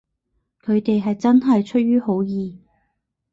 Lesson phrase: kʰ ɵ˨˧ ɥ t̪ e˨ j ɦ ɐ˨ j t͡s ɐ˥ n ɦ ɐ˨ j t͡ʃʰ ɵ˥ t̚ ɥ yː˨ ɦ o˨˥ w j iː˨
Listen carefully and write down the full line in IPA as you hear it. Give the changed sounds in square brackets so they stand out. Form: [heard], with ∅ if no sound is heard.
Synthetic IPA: kʰ ɵ˨˧ ɥ t̪ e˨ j ɦ ɐ˨ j t͡s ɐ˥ n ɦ ɐ˨ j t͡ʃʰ ɵ˥ t̚ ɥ [yː˥] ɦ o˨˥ w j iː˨